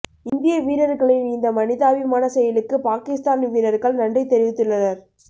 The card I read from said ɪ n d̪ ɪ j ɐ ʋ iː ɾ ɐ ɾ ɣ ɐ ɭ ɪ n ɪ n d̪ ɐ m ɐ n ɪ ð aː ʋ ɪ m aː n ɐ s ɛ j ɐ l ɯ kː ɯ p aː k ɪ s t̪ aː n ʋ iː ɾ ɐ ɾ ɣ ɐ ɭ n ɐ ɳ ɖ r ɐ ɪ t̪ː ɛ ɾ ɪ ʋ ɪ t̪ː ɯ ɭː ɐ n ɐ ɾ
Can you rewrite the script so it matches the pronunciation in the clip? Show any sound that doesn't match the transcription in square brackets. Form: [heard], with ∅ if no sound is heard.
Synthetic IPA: ɪ n d̪ ɪ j ɐ ʋ iː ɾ ɐ ɾ ɣ ɐ ɭ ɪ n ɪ n d̪ ɐ m ɐ n ɪ ð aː ʋ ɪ m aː n ɐ s ɛ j ɐ l ɯ kː ɯ p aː k ɪ s t̪ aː n ʋ iː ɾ ɐ ɾ ɣ ɐ ɭ n ɐ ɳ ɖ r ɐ ɪ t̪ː ɛ ɾ ɪ ʋ ɪ t̪ː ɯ ɭː ɐ n ɐ ɾ